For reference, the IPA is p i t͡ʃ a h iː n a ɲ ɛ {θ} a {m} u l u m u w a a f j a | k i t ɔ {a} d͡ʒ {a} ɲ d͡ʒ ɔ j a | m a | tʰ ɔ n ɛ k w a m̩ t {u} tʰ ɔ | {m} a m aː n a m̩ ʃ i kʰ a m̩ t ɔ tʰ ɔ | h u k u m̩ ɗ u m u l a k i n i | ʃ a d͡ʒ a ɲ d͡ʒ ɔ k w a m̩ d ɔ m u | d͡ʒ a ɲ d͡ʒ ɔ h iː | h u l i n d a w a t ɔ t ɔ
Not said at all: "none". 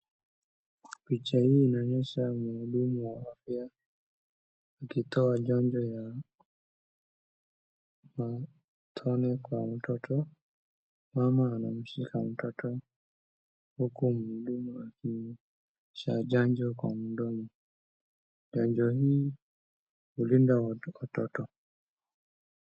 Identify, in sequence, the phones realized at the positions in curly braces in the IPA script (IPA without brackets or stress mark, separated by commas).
ʃ, m, a, a, ɔ, m